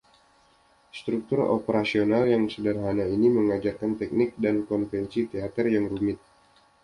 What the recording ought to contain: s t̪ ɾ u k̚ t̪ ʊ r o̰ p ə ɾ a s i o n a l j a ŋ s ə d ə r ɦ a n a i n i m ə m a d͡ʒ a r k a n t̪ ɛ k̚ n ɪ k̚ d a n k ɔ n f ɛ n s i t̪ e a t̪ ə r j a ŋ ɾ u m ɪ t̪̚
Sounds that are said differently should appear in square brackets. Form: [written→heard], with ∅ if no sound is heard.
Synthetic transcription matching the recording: s t̪ ɾ u k̚ t̪ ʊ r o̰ p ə ɾ a s i o n a l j a ŋ s ə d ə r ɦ a n a i n i m ə [m→ŋ] a d͡ʒ a r k a n t̪ ɛ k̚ n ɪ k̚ d a n k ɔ n f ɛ n s i t̪ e a t̪ ə r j a ŋ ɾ u m ɪ t̪̚